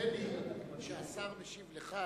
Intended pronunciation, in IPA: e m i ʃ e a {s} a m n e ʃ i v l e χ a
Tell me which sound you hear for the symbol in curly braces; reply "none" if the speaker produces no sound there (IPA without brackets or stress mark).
s